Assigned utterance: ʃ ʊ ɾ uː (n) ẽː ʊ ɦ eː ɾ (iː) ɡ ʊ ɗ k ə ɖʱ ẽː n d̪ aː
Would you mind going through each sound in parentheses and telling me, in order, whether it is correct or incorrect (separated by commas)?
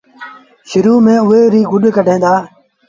incorrect, correct